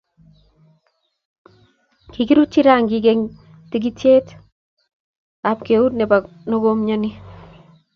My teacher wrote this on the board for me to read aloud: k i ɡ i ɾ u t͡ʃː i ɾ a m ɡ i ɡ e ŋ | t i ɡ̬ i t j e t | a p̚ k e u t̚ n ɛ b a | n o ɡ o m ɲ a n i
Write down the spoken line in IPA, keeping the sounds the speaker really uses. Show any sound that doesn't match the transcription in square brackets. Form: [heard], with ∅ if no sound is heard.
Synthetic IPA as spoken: k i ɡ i ɾ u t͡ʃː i ɾ a [ŋ] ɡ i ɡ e ŋ | t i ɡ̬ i t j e t | a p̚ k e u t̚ n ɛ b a | n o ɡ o m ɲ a n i

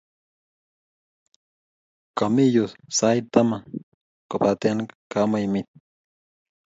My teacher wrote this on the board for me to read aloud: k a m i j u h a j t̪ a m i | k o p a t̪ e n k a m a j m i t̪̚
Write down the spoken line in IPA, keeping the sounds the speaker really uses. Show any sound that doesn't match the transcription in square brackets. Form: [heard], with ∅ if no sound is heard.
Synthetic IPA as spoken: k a m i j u [s] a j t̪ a m [a] | k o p a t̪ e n k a m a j m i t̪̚

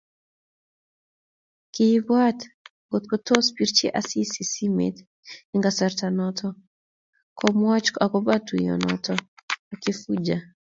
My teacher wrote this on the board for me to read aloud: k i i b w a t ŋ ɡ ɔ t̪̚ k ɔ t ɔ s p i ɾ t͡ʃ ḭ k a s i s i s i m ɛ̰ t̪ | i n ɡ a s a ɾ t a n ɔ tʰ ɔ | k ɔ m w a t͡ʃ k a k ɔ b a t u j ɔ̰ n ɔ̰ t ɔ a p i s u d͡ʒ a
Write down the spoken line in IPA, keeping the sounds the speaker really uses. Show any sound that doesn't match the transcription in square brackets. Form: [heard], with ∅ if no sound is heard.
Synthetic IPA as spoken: k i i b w a t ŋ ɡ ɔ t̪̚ k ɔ t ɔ s p i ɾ t͡ʃ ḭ [ʔ] a s i s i s i m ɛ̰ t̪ | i [ŋ] ɡ a s a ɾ t a n ɔ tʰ ɔ | k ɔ m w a t͡ʃ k a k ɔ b a t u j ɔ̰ n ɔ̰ t ɔ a [k] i [f] u d͡ʒ a

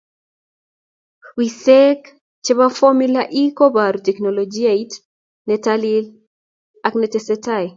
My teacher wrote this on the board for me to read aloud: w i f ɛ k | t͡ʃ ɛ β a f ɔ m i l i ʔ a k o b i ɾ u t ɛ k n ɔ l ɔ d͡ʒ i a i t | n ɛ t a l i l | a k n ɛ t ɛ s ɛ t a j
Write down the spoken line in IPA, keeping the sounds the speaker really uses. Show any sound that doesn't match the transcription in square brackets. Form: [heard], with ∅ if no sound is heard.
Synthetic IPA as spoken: w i [s] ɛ k | t͡ʃ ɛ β a f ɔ m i l [a] ʔ [i] k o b [a] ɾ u t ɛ k n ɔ l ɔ d͡ʒ i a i t | n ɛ t a l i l | a k n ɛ t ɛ s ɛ t a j

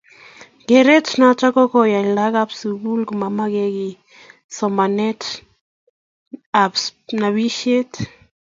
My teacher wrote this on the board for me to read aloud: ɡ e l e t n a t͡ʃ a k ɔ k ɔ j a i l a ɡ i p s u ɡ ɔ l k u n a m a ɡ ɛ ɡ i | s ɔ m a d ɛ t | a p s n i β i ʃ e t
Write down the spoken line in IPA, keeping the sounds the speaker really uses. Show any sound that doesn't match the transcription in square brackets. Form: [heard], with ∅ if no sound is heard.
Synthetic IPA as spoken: ɡ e [ɾ] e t n a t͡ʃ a k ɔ k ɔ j a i l a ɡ [a] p s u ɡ [u] l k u [m] a m a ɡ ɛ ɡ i | s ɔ m a [n] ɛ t | a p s n [a] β i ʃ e t

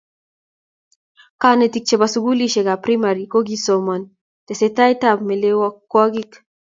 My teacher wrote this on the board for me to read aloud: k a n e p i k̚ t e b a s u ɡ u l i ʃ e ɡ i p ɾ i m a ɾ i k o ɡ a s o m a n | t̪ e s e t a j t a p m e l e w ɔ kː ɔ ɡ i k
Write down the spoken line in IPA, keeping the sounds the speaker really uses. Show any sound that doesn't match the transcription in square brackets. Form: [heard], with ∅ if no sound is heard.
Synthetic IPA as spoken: k a n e [t] i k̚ [t͡ʃ] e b a s u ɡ u l i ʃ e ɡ [a] p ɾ i m a ɾ i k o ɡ [i] s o m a n | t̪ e s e t a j t a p m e l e w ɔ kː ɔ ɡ i k

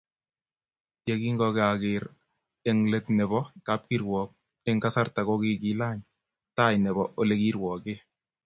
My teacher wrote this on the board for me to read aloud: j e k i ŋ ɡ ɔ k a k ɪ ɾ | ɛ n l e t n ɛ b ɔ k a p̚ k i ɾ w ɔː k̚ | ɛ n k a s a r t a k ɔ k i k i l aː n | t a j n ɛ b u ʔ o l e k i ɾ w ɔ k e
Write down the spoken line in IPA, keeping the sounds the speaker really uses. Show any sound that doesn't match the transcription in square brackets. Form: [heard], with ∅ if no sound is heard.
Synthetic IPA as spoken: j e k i ŋ ɡ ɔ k a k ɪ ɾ | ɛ [ŋ] l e t n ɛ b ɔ k a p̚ k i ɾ w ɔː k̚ | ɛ [ŋ] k a s a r t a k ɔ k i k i l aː [ɲ] | t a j n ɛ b [ɔ] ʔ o l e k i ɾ w ɔ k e

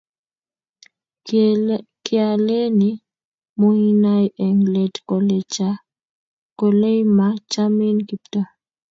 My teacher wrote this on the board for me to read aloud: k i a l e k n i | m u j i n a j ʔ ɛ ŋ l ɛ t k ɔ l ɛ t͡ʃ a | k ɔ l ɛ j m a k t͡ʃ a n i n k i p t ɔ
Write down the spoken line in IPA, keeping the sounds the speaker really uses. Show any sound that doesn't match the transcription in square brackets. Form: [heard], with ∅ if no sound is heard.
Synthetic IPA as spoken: k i a l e [∅] n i | m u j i n a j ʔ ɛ ŋ l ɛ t k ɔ l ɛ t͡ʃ a | k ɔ l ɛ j m a [∅] t͡ʃ a [m] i n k i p t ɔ

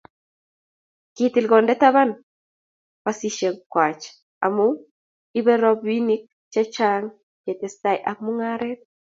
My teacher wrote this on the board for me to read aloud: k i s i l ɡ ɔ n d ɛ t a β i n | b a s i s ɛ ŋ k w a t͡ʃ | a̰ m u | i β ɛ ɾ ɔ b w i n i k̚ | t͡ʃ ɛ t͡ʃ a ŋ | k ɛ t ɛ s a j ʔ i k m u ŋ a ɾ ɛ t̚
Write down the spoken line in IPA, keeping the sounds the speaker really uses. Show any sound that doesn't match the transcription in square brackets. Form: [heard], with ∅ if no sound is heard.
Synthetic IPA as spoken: k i [t] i l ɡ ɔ n d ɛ t a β [a] n | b a s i [ʃ] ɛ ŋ k w a t͡ʃ | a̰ m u | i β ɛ ɾ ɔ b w i n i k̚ | t͡ʃ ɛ t͡ʃ a ŋ | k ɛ t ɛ s a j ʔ [a] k m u ŋ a ɾ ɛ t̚

